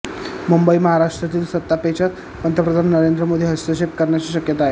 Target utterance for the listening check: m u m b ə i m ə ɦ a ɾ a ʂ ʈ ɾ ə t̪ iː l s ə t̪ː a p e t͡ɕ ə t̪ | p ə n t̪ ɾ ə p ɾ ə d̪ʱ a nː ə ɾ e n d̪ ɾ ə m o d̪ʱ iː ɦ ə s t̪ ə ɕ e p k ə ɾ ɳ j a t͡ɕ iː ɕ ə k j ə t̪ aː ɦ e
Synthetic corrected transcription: m u m b ə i m ə ɦ a ɾ a ʂ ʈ ɾ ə t̪ iː l s ə t̪ː a p e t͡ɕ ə t̪ | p ə n t̪ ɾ ə p ɾ ə d̪ʱ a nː ə ɾ e n d̪ ɾ ə m o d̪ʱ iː ɦ ə s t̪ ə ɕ e p k ə ɾ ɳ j a t͡ɕ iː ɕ ə k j ə t̪ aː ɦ e